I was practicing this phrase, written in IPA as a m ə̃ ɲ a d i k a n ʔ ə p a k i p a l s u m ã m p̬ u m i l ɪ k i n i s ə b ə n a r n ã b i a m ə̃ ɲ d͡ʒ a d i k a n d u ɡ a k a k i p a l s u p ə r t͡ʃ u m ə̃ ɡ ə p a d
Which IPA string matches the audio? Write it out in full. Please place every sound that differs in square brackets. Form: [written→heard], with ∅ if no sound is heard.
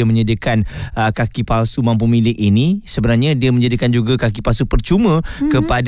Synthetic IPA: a m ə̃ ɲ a d i k a n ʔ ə [p→k] a k i p a l s u m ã m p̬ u m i l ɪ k i n i s ə b ə n a r [n→ɲ] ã [b→d] i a m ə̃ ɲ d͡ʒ a d i k a n [d→d͡ʒ] u ɡ a k a k i p a l s u p ə r t͡ʃ u m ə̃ [ɡ→k] ə p a d